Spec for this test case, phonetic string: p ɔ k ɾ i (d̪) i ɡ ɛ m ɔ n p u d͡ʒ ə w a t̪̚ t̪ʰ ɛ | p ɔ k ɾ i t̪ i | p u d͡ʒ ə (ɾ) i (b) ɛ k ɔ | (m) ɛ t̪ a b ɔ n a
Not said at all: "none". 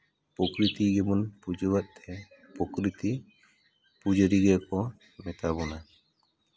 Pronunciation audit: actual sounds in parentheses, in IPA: t̪, ɾ, ɡ, m

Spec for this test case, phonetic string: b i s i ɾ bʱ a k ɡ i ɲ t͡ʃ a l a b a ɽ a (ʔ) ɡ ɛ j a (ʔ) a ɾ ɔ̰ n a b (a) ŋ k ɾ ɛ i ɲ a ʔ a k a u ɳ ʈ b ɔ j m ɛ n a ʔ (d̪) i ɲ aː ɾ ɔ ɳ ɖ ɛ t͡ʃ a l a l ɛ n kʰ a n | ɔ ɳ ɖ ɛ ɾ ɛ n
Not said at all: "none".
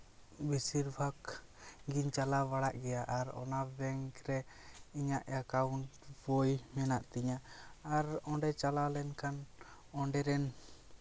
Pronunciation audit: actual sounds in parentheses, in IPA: ʔ, ʔ, ɛ, t̪

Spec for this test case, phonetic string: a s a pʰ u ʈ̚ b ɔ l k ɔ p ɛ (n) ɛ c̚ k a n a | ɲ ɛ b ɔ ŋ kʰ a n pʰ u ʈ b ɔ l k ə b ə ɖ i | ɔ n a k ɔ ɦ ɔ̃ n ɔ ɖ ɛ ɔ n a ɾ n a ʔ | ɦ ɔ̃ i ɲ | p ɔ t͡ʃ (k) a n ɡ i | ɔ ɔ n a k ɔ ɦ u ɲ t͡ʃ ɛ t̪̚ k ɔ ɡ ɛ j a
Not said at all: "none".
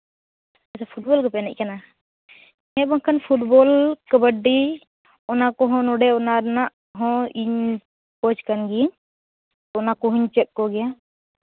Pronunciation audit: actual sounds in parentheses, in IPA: n, k

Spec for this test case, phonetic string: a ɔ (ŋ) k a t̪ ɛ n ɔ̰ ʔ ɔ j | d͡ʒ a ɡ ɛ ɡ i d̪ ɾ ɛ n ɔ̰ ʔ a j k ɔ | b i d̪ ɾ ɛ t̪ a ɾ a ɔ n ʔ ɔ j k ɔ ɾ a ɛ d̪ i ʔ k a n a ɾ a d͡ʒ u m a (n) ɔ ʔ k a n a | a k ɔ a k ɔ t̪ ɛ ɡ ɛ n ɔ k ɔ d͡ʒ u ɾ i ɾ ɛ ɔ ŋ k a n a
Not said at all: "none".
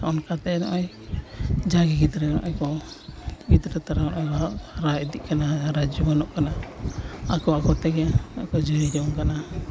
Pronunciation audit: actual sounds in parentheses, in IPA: n, n

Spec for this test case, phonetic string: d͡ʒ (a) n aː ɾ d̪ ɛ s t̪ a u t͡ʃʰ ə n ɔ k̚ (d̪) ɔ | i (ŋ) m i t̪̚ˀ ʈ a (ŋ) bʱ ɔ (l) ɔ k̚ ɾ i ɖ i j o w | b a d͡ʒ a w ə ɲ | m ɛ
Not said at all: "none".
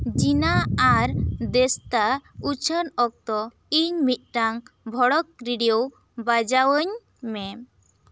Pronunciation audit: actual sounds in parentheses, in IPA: i, t̪, ɲ, ŋ, ɽ

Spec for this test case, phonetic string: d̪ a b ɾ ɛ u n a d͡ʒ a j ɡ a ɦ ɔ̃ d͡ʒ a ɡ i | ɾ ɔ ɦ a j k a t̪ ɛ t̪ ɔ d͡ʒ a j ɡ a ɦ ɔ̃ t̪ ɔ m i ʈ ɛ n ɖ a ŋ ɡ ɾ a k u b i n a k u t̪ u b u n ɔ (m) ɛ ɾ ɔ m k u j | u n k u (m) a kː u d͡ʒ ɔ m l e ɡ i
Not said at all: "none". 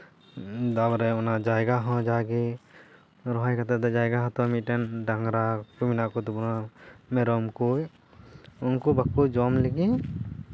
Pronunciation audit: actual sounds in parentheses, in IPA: m, b

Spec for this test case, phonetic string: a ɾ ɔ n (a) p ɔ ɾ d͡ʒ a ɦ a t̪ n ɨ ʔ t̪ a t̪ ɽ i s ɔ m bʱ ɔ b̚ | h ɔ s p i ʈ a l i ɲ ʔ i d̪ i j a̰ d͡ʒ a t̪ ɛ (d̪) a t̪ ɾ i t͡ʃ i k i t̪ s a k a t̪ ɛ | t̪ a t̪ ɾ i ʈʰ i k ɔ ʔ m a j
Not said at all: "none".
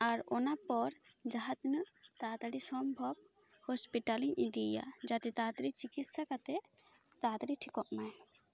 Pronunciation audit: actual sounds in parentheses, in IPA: a, t̪

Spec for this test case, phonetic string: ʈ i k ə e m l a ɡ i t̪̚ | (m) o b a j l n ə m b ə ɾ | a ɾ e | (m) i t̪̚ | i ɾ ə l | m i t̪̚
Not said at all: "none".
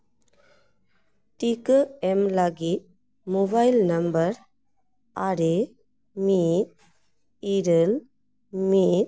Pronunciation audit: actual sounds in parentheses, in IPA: m, m

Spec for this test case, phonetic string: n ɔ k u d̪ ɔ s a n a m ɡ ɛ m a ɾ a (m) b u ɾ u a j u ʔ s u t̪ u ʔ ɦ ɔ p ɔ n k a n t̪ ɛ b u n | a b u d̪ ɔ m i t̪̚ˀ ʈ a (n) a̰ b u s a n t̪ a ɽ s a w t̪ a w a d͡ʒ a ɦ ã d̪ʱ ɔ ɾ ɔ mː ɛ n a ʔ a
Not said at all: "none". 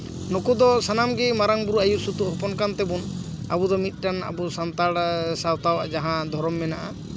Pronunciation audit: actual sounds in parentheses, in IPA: ŋ, n

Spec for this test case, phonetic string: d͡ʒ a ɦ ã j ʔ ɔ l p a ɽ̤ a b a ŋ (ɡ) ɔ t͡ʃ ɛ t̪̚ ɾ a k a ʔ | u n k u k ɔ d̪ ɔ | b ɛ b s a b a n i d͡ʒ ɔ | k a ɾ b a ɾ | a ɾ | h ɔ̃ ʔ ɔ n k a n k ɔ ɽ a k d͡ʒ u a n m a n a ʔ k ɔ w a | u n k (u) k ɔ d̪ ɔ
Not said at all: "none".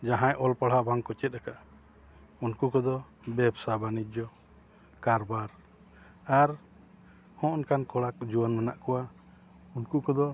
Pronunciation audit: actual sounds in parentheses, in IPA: k, u

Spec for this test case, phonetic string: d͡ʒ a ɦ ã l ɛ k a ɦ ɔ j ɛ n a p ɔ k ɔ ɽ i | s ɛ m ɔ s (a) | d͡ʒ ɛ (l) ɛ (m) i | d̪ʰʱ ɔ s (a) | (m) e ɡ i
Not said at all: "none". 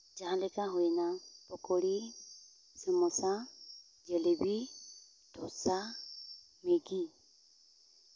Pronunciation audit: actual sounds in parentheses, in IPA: a, l, b, a, m

